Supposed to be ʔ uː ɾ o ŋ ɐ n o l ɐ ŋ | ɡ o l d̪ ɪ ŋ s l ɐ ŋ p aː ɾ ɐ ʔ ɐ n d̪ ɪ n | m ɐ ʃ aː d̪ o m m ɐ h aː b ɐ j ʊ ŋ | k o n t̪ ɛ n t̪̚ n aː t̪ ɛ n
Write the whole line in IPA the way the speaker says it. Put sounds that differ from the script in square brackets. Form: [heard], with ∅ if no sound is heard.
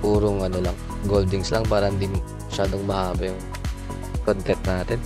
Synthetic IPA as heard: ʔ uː ɾ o ŋ ɐ n o l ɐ ŋ | ɡ o l d̪ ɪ ŋ s l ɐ ŋ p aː ɾ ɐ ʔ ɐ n d̪ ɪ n | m ɐ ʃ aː d̪ o [ŋ] m ɐ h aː b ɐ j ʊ ŋ | k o n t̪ ɛ n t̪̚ n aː t̪ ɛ n